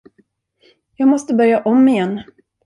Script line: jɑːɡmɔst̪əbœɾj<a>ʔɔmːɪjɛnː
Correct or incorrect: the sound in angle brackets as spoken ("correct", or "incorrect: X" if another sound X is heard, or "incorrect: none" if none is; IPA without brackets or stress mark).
correct